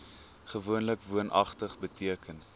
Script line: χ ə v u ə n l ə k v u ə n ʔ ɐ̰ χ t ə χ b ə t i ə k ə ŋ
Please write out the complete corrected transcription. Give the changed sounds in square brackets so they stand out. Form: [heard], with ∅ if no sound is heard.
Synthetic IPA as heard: χ ə v u ə n l ə k v u ə n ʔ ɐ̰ χ t ə χ b ə t i ə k ə [n]